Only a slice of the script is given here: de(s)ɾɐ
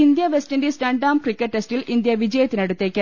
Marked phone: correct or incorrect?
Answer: correct